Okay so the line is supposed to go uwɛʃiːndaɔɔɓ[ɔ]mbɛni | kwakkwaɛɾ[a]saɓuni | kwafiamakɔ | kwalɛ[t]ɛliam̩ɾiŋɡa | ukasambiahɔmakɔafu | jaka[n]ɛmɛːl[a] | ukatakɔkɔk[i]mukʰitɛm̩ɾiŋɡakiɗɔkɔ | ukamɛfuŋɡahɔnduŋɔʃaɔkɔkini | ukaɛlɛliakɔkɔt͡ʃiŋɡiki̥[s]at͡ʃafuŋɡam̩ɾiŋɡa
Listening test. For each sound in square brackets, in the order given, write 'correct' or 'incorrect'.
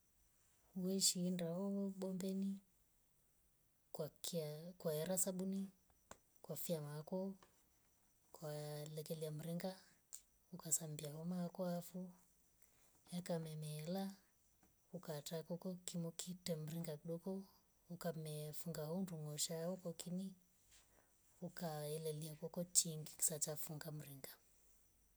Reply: correct, correct, incorrect, incorrect, correct, correct, correct

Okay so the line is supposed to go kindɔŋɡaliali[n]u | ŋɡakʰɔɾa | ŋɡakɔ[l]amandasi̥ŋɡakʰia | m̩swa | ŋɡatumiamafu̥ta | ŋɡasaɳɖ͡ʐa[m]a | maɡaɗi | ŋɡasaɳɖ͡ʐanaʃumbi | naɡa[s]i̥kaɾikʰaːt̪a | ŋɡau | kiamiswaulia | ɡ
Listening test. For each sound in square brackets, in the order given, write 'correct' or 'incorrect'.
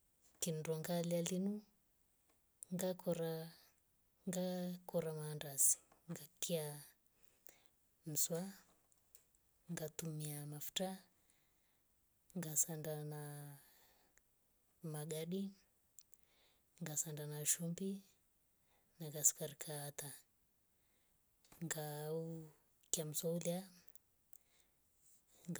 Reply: correct, incorrect, incorrect, correct

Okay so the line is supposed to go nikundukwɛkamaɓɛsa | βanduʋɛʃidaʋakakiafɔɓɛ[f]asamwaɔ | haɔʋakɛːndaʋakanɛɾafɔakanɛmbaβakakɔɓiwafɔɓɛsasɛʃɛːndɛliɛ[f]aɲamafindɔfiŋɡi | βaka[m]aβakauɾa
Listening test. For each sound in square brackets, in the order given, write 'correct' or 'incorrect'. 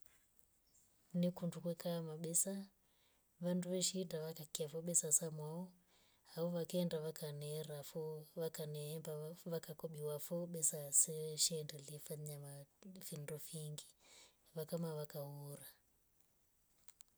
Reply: incorrect, correct, correct

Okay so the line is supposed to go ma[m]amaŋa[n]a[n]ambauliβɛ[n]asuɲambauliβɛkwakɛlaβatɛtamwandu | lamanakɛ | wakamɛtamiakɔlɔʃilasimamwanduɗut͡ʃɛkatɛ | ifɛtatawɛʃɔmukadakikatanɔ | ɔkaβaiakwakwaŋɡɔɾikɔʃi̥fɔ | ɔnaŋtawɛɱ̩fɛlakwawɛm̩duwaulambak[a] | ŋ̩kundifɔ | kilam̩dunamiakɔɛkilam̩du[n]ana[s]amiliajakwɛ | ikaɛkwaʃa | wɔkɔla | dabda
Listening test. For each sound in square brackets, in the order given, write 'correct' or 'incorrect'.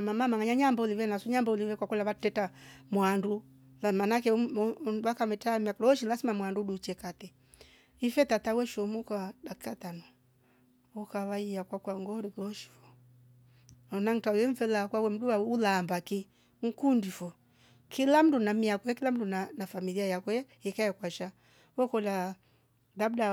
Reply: correct, incorrect, incorrect, correct, incorrect, correct, incorrect

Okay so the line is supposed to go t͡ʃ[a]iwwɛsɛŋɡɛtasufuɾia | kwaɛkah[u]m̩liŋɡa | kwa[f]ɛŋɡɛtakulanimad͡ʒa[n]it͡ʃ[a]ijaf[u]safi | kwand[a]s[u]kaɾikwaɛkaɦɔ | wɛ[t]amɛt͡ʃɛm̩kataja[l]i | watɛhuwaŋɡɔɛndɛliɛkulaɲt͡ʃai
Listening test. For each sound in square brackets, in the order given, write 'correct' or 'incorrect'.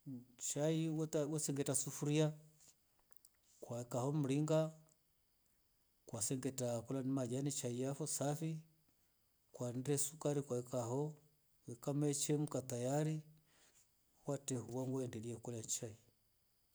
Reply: correct, incorrect, incorrect, correct, correct, incorrect, incorrect, correct, incorrect, incorrect

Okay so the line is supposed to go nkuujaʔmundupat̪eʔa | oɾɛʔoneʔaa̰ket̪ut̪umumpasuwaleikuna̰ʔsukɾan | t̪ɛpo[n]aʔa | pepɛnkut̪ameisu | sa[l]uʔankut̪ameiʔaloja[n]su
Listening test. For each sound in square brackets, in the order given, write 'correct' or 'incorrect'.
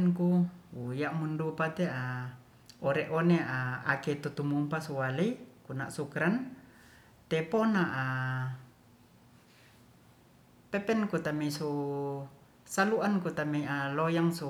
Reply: correct, correct, incorrect

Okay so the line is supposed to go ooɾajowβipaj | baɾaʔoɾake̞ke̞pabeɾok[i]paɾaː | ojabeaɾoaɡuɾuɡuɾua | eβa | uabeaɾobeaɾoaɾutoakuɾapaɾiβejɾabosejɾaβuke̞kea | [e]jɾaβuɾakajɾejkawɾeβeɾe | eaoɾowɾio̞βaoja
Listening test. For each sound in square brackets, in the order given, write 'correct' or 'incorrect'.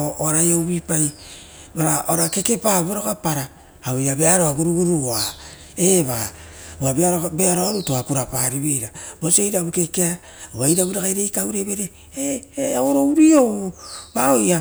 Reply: incorrect, incorrect

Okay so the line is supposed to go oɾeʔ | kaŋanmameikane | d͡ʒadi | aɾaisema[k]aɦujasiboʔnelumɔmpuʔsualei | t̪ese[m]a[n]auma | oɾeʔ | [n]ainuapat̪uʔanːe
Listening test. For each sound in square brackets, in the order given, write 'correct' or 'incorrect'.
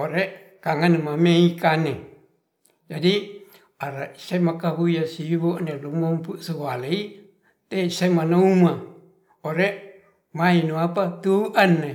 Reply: correct, correct, correct, incorrect

